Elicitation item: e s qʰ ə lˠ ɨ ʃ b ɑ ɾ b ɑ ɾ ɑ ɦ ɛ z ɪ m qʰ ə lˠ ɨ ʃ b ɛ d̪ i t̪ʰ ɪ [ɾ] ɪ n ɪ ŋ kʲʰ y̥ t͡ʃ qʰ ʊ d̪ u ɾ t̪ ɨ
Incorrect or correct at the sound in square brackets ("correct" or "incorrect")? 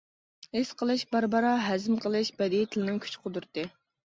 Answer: incorrect